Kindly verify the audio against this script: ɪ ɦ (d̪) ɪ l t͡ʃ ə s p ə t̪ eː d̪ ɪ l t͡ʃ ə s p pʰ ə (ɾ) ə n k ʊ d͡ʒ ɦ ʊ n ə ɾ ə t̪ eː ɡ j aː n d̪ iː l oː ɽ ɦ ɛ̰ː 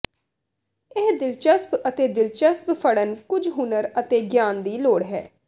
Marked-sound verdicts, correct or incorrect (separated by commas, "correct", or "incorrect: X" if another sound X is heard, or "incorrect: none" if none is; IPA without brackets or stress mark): correct, incorrect: ɽ